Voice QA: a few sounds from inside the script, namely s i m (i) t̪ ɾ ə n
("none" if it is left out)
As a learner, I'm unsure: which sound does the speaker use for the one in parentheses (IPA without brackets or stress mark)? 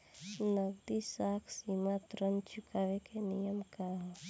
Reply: a